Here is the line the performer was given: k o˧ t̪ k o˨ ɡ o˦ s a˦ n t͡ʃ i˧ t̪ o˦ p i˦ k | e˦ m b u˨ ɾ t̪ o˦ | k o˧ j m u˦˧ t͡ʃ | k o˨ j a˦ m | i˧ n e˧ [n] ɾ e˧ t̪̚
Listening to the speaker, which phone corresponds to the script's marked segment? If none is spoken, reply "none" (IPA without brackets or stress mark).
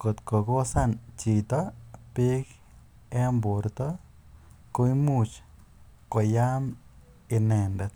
n